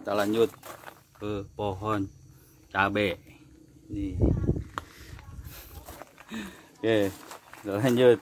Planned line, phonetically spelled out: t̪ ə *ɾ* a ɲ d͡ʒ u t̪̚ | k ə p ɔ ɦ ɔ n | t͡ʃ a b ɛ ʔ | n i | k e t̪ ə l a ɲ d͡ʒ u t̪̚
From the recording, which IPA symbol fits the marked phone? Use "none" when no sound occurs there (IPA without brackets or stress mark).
l